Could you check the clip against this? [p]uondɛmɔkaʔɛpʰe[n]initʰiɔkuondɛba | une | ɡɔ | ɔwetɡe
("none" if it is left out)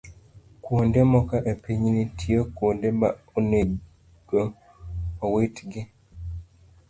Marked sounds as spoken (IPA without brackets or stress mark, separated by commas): k, ɲ